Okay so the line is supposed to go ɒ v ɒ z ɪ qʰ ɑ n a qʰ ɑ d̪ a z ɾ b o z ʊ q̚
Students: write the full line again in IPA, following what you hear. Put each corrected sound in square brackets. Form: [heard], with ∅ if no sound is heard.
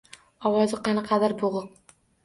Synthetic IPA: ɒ [w] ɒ z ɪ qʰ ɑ n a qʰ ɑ d̪ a [∅] ɾ b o [ʁ] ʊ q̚